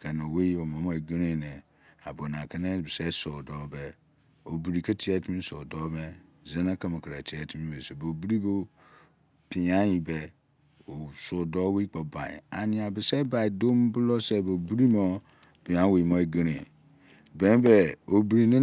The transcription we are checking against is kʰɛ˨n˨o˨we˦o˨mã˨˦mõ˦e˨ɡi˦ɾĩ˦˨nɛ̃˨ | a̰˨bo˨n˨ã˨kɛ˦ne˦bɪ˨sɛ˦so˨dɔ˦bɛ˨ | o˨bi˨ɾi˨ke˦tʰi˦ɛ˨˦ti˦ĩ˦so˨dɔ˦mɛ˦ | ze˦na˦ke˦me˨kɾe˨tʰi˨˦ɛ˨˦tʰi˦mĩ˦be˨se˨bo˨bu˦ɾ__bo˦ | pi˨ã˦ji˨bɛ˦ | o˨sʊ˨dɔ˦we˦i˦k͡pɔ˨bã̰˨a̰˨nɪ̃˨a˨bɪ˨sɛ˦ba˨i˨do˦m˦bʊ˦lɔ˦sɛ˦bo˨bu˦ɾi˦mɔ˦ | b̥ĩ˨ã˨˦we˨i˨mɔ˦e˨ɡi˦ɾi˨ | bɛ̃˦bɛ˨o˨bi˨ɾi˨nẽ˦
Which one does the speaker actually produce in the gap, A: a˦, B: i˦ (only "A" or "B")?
B